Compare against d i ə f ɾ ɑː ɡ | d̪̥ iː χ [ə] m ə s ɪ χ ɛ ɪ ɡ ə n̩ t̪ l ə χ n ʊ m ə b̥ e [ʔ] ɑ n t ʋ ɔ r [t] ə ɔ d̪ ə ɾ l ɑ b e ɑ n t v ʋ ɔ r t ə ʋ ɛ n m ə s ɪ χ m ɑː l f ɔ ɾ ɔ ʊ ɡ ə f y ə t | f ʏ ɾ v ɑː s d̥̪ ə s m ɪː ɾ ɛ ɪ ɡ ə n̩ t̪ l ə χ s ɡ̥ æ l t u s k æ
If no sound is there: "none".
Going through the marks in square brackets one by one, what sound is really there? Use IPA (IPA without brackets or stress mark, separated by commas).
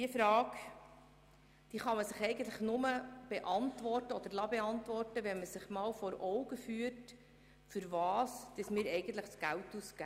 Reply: ɑ, ʔ, t